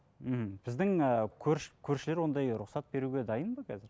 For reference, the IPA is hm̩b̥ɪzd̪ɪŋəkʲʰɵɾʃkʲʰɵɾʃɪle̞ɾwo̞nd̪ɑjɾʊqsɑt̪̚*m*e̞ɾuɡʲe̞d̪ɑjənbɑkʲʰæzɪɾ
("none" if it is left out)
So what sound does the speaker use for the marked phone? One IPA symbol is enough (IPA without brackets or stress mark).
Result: b